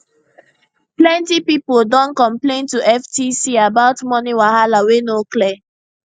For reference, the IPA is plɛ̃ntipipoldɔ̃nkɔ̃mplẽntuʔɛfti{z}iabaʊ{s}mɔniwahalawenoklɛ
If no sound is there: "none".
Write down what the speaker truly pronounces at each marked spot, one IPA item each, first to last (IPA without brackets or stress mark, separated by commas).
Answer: s, t